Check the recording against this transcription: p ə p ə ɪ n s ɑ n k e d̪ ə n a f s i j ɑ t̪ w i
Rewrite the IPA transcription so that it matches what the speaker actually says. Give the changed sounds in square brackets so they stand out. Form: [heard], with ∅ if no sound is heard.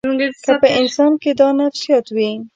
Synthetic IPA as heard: [k] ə p ə ɪ n s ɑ n k e d̪ [ɑ] n a f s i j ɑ t̪ w i